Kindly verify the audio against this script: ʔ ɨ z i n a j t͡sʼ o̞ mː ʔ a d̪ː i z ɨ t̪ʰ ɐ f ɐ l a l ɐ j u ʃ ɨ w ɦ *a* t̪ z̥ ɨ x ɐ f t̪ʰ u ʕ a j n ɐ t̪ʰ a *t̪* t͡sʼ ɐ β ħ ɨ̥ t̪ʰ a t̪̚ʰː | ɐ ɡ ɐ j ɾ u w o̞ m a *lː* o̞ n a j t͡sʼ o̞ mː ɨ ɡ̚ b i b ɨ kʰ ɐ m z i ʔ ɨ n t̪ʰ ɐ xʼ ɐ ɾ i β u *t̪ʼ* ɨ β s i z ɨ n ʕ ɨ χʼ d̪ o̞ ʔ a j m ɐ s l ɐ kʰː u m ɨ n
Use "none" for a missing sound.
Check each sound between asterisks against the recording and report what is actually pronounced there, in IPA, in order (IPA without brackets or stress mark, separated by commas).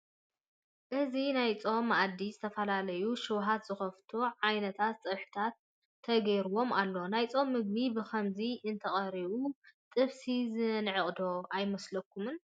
a, t̪, lː, t̪ʼ